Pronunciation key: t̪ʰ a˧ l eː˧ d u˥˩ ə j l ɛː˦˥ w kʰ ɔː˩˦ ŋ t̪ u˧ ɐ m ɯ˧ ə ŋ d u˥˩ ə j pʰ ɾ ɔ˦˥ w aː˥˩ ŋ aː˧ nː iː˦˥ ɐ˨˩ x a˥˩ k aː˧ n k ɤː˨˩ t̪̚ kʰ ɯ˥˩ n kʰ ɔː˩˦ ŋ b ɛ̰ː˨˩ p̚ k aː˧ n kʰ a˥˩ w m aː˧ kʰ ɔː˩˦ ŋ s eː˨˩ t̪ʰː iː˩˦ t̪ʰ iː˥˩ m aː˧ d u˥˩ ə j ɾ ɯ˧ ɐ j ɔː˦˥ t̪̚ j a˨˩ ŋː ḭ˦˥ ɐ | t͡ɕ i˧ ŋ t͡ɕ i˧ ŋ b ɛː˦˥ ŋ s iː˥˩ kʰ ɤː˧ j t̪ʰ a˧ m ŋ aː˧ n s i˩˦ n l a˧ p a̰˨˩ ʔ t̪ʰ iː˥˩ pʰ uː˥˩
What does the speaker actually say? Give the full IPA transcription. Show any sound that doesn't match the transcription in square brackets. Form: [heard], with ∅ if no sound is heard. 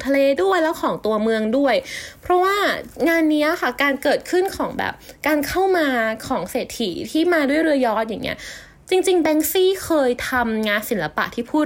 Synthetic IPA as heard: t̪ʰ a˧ l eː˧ d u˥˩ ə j l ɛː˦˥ w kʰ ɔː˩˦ ŋ t̪ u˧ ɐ m ɯ˧ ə ŋ d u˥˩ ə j pʰ ɾ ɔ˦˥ w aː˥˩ ŋ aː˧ nː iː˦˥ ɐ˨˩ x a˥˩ k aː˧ n k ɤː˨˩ t̪̚ kʰ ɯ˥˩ n kʰ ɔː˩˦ ŋ b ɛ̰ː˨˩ p̚ k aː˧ n kʰ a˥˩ w m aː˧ kʰ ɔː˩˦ ŋ s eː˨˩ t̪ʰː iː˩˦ t̪ʰ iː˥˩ m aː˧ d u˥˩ ə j ɾ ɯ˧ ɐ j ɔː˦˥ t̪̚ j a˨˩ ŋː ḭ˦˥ ɐ | t͡ɕ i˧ ŋ t͡ɕ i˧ ŋ b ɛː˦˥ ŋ s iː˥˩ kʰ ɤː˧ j t̪ʰ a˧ m ŋ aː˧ n s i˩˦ n l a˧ p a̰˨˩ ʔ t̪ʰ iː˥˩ pʰ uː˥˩